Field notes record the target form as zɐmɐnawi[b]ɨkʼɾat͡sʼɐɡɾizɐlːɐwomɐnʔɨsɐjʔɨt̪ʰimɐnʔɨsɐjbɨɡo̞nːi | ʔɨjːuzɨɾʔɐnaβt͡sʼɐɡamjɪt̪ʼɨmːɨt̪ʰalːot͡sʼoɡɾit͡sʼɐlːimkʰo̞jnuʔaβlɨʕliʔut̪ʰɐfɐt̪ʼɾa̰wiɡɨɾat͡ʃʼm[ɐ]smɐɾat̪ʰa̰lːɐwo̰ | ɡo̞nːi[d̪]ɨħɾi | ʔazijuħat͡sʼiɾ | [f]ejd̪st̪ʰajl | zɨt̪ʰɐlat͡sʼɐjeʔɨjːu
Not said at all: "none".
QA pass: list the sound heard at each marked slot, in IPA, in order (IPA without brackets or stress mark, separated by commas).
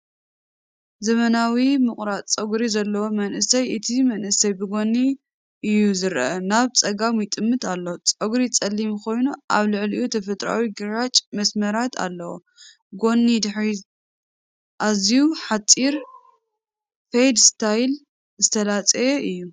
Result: m, ɐ, d̪, f